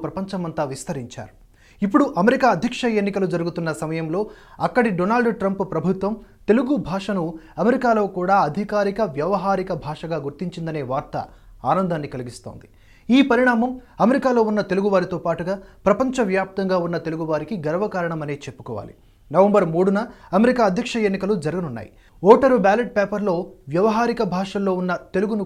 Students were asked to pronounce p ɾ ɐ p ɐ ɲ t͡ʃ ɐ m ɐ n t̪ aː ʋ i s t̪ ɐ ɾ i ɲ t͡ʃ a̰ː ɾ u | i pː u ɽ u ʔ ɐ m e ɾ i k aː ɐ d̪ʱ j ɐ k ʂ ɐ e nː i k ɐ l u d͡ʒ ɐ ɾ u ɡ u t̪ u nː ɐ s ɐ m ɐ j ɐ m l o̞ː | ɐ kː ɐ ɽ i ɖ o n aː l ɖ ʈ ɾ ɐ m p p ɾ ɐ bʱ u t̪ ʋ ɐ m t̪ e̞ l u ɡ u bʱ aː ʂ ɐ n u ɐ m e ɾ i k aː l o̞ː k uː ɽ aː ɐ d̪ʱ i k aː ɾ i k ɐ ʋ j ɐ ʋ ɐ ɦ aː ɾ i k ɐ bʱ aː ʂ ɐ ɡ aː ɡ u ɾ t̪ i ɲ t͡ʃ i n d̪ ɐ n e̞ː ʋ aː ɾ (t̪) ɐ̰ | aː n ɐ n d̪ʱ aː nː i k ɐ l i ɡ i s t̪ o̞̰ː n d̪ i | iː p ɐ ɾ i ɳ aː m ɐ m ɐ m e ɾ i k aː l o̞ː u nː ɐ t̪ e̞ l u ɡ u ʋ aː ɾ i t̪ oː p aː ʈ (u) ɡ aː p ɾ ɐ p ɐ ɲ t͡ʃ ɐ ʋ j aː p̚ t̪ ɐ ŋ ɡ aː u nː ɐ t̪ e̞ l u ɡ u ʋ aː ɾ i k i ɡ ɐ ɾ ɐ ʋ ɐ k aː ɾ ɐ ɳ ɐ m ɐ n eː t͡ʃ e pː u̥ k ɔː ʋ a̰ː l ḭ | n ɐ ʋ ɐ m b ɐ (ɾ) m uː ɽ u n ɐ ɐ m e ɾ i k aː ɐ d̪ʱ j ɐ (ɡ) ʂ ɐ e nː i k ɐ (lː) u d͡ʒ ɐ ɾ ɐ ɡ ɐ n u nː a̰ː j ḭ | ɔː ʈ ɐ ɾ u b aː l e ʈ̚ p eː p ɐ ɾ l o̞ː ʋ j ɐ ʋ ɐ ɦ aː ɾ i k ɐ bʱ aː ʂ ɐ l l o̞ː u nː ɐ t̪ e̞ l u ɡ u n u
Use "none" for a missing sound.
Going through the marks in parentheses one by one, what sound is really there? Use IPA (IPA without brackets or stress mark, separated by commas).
t̪, u, ɾ, k, l